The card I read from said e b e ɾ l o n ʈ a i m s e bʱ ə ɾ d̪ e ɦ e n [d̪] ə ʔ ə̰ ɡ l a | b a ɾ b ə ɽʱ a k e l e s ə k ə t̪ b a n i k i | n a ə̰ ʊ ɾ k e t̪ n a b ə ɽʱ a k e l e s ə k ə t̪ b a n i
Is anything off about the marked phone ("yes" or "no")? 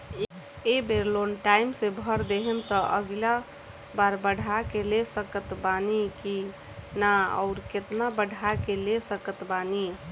yes